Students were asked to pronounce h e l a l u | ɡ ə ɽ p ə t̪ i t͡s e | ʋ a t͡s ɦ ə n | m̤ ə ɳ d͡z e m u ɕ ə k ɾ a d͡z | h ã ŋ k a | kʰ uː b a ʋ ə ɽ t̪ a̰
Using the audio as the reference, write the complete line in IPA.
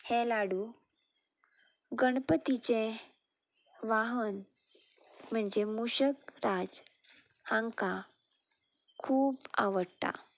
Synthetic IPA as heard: h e l a ɽ u | ɡ ə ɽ p ə t̪ i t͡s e | ʋ a ɦ ə n | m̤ ə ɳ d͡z e m u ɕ ə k ɾ a d͡z | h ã ŋ k a | kʰ uː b a ʋ ə ɽ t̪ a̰